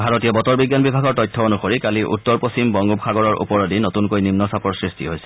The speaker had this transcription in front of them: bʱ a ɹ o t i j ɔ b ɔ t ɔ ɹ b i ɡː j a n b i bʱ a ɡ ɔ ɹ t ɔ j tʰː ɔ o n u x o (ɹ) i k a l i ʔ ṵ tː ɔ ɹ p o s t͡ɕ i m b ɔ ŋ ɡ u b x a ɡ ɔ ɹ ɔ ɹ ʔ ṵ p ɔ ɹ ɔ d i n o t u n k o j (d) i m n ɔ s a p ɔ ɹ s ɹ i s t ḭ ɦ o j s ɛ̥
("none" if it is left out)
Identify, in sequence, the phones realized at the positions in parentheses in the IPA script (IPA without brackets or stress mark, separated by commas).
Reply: ɹ, n